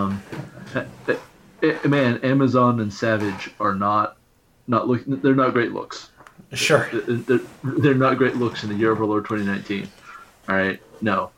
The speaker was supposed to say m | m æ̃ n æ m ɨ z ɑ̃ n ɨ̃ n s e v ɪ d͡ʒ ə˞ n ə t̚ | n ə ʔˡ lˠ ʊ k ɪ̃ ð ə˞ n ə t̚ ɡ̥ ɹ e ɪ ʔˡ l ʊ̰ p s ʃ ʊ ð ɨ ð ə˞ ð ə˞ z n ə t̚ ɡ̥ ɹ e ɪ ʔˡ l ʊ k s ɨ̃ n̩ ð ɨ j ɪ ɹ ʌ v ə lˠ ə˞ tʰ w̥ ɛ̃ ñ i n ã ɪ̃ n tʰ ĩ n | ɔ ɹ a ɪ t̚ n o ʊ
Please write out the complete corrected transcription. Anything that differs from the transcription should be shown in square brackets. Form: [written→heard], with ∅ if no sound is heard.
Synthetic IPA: m | m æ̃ n æ m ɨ z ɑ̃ n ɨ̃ n s [e→æ] v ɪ d͡ʒ ə˞ n ə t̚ | n ə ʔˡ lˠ ʊ k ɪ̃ ð ə˞ n ə t̚ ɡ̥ ɹ e ɪ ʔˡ l ʊ̰ [p→k] s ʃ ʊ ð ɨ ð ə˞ ð ə˞ [z→∅] n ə t̚ ɡ̥ ɹ e ɪ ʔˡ l ʊ k s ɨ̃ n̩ ð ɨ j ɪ ɹ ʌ v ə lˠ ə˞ tʰ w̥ ɛ̃ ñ i n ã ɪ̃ n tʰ ĩ n | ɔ ɹ a ɪ t̚ n o ʊ